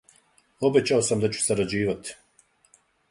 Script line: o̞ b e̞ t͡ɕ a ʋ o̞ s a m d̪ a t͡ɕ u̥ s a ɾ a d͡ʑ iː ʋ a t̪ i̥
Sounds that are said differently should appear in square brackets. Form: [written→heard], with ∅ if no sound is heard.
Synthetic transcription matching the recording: o̞ b e̞ t͡ɕ a [ʋ→∅] o̞ s a m d̪ a t͡ɕ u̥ s a ɾ a d͡ʑ iː ʋ a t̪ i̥